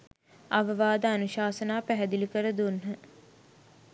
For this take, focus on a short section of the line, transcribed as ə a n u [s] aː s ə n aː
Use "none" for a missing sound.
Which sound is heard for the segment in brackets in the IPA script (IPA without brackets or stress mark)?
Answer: ʃ